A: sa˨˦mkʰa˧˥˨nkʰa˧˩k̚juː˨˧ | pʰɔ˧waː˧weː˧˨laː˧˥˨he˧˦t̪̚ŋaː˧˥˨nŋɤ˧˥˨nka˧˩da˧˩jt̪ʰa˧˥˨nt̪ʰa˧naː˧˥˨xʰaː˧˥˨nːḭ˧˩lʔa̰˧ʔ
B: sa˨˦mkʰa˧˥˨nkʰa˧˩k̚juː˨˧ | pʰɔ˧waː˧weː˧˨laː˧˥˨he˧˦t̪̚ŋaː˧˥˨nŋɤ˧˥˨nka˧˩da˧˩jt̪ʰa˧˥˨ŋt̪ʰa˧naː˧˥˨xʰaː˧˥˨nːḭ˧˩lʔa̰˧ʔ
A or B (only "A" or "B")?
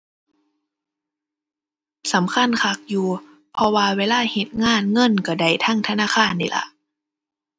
B